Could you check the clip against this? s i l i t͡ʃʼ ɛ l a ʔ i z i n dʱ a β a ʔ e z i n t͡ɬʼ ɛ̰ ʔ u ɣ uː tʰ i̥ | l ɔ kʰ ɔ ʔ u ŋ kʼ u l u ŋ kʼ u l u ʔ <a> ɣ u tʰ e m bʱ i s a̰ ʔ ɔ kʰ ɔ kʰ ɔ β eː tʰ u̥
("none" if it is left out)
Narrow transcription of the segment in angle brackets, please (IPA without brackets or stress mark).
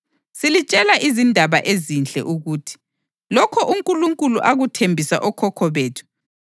a